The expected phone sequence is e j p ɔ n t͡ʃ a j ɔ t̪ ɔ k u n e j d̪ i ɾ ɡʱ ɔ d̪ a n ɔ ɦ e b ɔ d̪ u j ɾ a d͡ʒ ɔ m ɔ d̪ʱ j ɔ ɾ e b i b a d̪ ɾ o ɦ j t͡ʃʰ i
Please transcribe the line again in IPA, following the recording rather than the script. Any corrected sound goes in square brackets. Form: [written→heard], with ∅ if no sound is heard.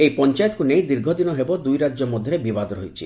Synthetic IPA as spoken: e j p ɔ n t͡ʃ a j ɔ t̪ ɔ k u n e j d̪ i ɾ ɡʱ ɔ d̪ [a→i] n ɔ ɦ e b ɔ d̪ u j ɾ a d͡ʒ ɔ m ɔ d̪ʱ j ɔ ɾ e b i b a d̪ ɾ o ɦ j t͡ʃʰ i